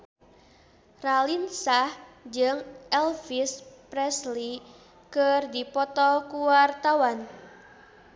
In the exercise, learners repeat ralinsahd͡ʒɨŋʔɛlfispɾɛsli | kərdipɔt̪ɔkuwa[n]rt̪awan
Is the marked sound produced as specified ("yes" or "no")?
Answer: no